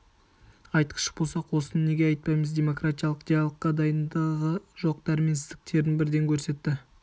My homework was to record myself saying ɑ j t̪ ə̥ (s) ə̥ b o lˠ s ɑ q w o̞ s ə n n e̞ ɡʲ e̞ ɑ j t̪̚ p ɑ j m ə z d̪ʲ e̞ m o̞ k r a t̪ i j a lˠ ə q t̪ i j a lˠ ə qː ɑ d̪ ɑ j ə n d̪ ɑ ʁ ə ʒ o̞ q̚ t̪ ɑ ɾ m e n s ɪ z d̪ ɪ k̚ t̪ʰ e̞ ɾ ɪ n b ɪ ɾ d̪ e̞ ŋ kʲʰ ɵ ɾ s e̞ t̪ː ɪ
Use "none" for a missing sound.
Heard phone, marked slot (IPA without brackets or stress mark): ʃ